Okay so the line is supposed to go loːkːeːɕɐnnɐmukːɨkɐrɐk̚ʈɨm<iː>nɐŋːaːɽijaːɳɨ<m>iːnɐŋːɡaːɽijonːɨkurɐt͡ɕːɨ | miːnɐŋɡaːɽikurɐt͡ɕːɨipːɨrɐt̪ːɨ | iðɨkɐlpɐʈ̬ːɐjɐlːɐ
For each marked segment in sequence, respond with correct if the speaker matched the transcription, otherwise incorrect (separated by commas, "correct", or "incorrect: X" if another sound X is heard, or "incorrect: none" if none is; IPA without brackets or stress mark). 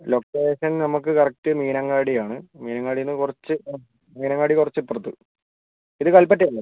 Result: correct, correct